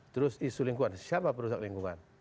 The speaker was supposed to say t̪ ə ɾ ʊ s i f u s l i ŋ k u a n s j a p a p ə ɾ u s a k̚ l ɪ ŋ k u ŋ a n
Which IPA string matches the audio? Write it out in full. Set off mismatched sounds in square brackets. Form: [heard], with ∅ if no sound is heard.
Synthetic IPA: t̪ ə ɾ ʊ s i [s] u [∅] l i ŋ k u a n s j a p a p ə ɾ u s a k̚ l [i] ŋ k u ŋ a n